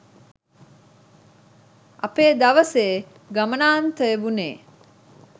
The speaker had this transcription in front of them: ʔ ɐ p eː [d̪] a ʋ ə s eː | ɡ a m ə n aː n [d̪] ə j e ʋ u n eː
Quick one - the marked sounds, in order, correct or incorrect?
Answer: correct, incorrect: t̪

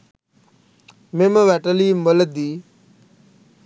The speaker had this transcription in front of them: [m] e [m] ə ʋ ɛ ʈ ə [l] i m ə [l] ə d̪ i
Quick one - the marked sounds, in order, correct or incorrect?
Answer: correct, correct, correct, correct

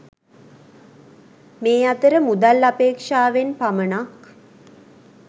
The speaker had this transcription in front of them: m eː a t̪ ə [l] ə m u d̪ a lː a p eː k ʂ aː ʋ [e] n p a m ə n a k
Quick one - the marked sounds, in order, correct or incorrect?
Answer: incorrect: ɾ, correct

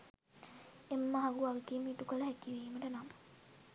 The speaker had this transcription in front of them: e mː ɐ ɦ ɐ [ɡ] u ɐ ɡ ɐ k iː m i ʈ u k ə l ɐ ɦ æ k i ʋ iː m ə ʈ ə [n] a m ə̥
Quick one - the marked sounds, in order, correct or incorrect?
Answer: correct, correct

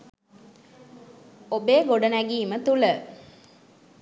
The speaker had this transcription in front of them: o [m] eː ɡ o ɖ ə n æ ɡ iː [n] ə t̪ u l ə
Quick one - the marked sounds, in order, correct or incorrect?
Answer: incorrect: b, incorrect: m

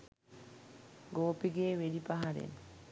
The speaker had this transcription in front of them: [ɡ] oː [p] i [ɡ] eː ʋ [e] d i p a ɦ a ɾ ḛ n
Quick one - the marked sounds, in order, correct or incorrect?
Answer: correct, correct, correct, correct

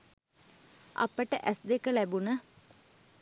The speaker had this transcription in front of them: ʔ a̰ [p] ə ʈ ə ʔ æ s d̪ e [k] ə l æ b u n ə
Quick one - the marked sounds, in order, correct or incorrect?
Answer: correct, correct

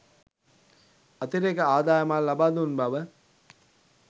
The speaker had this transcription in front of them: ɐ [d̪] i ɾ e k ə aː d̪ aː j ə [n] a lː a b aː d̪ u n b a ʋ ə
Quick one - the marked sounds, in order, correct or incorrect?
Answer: incorrect: t̪, incorrect: m

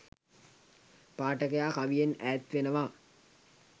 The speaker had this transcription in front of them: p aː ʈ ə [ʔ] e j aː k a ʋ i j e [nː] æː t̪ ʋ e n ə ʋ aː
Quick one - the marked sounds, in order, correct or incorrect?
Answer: incorrect: k, incorrect: n

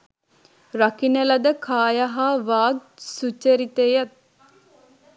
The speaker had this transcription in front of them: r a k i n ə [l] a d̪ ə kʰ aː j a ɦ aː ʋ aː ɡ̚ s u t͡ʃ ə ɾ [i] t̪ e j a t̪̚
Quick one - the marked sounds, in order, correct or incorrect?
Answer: correct, correct

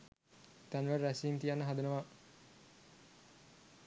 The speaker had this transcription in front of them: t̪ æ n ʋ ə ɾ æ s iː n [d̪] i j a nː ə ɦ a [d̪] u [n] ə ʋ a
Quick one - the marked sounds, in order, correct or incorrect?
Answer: incorrect: t̪, correct, correct

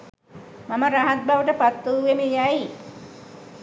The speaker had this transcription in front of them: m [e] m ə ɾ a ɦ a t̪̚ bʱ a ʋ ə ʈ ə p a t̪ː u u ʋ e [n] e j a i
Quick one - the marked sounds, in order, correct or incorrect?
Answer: incorrect: a, incorrect: m

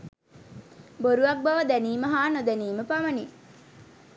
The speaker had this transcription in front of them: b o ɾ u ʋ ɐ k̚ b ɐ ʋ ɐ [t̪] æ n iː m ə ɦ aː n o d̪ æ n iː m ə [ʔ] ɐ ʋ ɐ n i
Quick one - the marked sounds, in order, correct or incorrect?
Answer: incorrect: d̪, incorrect: p

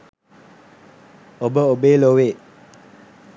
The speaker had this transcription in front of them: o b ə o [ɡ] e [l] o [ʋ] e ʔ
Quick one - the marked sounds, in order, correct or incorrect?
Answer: incorrect: b, correct, incorrect: w

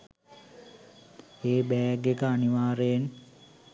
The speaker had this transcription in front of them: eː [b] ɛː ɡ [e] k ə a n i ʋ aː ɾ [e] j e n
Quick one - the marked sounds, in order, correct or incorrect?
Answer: correct, correct, correct

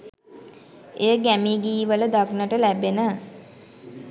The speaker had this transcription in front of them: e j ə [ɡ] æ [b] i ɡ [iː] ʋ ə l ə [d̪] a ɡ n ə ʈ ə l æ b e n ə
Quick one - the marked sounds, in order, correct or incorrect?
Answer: correct, incorrect: m, correct, correct

